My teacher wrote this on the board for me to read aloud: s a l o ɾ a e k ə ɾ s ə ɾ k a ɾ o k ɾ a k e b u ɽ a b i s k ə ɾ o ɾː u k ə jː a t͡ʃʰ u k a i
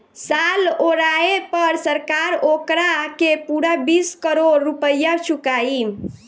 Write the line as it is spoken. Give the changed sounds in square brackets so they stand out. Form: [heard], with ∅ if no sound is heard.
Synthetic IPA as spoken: s a l o ɾ a e [p] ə ɾ s ə ɾ k a ɾ o k ɾ a k e [p] u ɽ a b i s k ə ɾ o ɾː u [p] ə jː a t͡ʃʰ u k a i

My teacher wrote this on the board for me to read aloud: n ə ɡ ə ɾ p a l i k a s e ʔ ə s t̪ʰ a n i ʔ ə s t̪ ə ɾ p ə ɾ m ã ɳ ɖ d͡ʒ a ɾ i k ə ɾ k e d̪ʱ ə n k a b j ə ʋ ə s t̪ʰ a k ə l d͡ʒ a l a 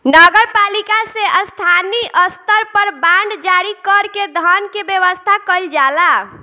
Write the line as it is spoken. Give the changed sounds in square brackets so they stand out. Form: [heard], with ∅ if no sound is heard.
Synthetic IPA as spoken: n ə ɡ ə ɾ p a l i k a s e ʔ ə s t̪ʰ a n i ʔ ə s t̪ ə ɾ p ə ɾ [b] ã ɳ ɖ d͡ʒ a ɾ i k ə ɾ k e d̪ʱ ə n k [e] b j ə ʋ ə s t̪ʰ a k ə l d͡ʒ a l a

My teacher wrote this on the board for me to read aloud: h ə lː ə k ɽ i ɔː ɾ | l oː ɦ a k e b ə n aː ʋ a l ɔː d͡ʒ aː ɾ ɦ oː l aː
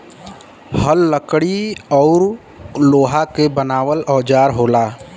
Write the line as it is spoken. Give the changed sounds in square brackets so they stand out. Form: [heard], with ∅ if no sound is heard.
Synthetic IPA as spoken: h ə lː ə k ɽ i ɔː ɾ | l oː ɦ a k e b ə n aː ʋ [ə] l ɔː d͡ʒ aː ɾ ɦ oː l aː

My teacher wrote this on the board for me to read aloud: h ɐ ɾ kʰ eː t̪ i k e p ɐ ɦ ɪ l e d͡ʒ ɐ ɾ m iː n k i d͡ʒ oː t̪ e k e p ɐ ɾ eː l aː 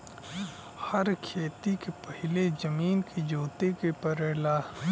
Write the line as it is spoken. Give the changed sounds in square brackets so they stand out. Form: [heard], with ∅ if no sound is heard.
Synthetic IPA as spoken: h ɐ ɾ kʰ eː t̪ i k e p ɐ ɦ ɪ l e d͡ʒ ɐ [∅] m iː n k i d͡ʒ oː t̪ e k e p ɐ ɾ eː l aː

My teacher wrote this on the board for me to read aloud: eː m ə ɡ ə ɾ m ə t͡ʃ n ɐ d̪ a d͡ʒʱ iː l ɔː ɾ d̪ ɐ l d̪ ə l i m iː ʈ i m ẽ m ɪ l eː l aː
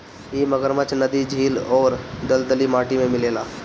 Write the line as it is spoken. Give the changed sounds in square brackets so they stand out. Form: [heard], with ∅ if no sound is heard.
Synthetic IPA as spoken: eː m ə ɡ ə ɾ m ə t͡ʃ n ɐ d̪ [i] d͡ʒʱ iː l ɔː ɾ d̪ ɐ l d̪ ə l i m [aː] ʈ i m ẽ m ɪ l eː l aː

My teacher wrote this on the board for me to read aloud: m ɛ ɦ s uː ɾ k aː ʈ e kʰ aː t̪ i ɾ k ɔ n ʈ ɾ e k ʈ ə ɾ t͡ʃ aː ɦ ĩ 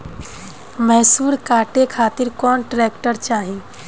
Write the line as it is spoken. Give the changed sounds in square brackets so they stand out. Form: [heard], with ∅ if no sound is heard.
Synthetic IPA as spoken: m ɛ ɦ s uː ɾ k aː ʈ e kʰ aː t̪ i ɾ k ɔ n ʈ ɾ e k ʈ ə ɾ t͡ʃ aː ɦ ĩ

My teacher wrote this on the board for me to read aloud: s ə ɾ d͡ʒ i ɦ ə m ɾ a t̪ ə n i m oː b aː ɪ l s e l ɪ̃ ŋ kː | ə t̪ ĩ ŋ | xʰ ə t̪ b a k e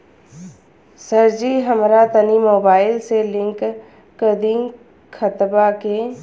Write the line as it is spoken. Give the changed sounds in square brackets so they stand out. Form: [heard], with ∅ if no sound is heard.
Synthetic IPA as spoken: s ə ɾ d͡ʒ i ɦ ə m ɾ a t̪ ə n i m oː b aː ɪ l s e l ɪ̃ ŋ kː | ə [d̪] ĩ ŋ | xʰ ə t̪ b a k e

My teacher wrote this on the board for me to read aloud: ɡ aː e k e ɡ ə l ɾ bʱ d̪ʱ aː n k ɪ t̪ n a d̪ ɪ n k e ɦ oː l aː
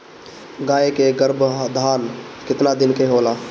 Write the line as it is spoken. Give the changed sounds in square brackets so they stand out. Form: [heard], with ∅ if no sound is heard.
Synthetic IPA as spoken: ɡ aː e k e ɡ ə [∅] ɾ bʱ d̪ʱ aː n k ɪ t̪ n a d̪ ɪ n k e ɦ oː l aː

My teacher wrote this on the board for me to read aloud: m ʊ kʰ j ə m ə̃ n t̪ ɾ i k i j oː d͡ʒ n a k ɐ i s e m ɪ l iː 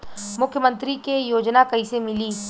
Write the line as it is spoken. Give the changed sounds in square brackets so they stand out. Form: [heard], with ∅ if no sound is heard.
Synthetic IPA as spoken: m ʊ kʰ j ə m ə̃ n t̪ ɾ i k [e] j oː d͡ʒ n a k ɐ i s e m ɪ l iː

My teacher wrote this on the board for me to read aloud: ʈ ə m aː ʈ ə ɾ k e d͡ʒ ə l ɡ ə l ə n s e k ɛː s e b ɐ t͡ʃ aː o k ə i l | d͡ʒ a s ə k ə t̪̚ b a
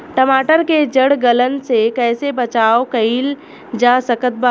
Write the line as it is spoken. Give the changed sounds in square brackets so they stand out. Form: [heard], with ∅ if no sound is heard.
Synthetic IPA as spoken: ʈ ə m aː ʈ ə ɾ k e d͡ʒ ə [ɽ] ɡ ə l ə n s e k ɛː s e b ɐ t͡ʃ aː o k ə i l | d͡ʒ a s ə k ə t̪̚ b a

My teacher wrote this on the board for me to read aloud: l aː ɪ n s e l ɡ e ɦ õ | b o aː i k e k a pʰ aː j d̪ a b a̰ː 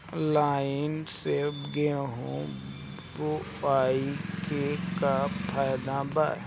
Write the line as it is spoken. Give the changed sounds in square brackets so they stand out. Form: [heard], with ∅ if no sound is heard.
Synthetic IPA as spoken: l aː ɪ n s e [∅] ɡ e ɦ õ | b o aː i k e k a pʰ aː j d̪ a b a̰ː

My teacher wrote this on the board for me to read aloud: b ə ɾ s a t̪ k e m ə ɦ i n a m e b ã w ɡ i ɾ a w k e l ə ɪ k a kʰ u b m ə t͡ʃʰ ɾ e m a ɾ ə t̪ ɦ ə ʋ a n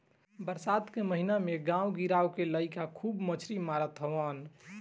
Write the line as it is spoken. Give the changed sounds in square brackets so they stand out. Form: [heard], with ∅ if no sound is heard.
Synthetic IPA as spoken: b ə ɾ s a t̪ k e m ə ɦ i n a m e [ɡ] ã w ɡ i ɾ a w k e l ə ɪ k a kʰ u b m ə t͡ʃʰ ɾ [i] m a ɾ ə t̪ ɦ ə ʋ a n

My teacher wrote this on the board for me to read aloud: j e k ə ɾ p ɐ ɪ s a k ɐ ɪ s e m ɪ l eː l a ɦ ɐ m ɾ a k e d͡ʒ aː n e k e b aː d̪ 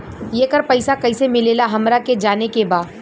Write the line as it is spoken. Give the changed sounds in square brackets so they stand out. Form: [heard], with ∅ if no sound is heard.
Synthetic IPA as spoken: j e k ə ɾ p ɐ ɪ s a k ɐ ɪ s e m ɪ l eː l a ɦ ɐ m ɾ a k e d͡ʒ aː n e k e b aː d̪

